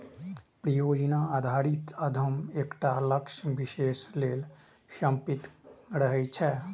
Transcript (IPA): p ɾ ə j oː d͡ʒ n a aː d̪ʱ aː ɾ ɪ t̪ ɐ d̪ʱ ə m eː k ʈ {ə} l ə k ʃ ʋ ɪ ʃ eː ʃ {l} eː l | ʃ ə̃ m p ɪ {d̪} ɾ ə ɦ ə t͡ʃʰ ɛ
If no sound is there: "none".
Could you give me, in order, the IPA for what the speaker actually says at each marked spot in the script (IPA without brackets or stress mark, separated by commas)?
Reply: a, l, t̪